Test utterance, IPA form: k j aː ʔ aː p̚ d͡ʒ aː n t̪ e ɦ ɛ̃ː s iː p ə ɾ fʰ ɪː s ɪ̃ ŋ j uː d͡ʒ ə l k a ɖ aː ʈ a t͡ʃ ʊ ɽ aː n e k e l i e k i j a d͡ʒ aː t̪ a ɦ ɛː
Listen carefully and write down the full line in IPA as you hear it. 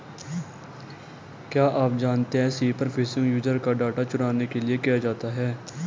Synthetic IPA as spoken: k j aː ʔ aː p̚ d͡ʒ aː n t̪ e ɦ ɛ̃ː s iː p ə ɾ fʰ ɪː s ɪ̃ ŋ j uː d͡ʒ ə ɾ k a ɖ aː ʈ a t͡ʃ ʊ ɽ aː n e k e l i e k i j a d͡ʒ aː t̪ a ɦ ɛː